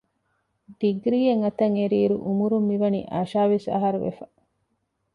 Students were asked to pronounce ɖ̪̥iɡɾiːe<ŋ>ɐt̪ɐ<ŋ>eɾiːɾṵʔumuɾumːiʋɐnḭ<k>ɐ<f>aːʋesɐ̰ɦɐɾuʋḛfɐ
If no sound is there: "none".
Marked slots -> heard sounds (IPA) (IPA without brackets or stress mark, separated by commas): ŋ, ŋ, ʔ, ʃ